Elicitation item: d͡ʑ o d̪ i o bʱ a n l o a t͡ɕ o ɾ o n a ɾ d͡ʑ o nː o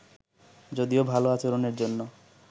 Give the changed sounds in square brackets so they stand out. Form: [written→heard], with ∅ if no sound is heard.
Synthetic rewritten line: d͡ʑ o d̪ i o bʱ a [n→∅] l o a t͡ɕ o ɾ o n [a→e] ɾ d͡ʑ o nː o